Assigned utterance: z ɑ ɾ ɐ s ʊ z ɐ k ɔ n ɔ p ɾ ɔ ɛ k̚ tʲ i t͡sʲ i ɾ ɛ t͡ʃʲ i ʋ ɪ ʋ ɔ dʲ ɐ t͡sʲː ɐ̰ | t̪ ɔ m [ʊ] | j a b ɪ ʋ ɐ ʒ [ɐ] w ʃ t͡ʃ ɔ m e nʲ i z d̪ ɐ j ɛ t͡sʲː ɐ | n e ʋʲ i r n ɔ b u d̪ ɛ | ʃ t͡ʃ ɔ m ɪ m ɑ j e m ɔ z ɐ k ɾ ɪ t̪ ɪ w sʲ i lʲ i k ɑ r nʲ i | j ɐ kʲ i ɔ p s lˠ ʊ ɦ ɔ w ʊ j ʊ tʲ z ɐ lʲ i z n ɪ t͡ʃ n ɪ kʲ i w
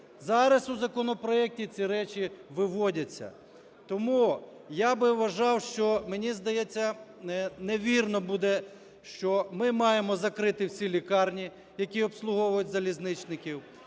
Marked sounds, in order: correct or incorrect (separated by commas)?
incorrect, incorrect